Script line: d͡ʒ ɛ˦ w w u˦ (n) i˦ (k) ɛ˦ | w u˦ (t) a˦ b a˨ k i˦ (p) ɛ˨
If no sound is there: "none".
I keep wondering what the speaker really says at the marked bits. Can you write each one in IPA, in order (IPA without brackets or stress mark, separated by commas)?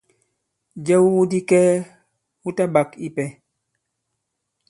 d, k, t, p